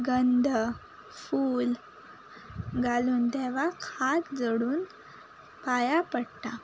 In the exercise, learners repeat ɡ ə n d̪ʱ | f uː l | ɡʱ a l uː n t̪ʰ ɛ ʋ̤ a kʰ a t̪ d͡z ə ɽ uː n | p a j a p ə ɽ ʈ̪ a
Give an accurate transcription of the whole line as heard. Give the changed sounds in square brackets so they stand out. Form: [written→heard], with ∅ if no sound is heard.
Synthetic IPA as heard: ɡ ə n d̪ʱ | f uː l | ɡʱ a l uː n [t̪ʰ→t̪] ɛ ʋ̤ a kʰ a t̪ d͡z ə ɽ uː n | p a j a p ə ɽ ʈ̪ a